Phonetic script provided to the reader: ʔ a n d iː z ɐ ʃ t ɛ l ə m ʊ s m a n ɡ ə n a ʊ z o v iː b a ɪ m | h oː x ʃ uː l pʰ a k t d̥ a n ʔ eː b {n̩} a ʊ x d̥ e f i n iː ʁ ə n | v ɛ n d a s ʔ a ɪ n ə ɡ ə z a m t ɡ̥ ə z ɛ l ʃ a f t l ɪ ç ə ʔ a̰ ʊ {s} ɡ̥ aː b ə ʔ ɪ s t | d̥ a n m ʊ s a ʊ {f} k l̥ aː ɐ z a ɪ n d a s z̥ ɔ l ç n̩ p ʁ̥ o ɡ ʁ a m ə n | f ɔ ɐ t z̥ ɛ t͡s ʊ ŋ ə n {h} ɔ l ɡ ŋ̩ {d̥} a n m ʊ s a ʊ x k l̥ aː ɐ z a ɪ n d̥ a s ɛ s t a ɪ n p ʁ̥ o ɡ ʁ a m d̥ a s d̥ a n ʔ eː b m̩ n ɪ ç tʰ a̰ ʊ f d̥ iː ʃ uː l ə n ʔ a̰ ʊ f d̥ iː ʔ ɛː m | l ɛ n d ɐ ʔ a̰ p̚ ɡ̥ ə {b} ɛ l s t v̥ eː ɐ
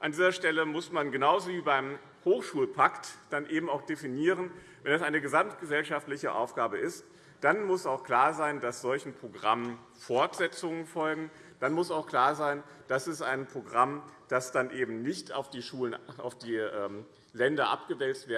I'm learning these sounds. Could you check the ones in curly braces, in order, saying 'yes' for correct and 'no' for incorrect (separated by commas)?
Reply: no, no, no, no, yes, no